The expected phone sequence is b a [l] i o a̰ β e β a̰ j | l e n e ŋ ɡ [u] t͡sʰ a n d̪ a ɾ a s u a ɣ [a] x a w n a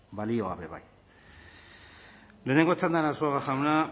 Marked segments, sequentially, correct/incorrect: correct, incorrect: o, correct

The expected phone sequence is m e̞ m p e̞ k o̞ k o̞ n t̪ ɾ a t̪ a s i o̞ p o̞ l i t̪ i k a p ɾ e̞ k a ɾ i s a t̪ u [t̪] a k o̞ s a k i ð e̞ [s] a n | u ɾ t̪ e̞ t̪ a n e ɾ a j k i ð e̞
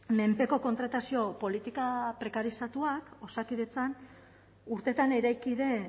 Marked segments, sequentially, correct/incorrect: incorrect: none, incorrect: t͡s

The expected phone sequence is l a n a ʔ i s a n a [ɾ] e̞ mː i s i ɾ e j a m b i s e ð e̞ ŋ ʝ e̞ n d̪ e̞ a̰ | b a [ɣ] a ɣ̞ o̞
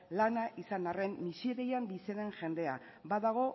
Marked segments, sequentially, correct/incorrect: incorrect: r, incorrect: ð

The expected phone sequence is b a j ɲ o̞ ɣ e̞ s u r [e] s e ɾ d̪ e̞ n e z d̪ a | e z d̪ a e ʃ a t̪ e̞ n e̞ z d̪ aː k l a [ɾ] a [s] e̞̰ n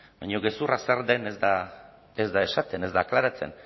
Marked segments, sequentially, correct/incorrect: incorrect: a, correct, incorrect: t͡s

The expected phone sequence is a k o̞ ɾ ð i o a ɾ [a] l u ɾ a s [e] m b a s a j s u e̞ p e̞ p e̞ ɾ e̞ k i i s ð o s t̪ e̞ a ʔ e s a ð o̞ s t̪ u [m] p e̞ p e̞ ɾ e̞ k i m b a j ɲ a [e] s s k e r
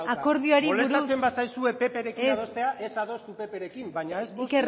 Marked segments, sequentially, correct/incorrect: incorrect: i, correct, incorrect: none, correct

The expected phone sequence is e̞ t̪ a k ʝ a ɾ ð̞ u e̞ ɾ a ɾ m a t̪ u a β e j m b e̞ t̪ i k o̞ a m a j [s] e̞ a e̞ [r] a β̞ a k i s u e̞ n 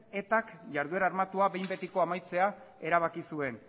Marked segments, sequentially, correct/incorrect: incorrect: t͡s, incorrect: ɾ

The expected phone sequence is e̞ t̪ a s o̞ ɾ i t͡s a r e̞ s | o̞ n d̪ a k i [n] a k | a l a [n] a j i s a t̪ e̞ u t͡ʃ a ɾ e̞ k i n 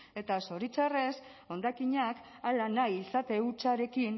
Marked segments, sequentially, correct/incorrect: incorrect: ɲ, correct

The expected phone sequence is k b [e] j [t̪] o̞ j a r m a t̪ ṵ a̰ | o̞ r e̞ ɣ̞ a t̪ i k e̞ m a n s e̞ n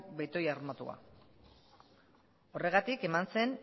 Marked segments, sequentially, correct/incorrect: correct, correct

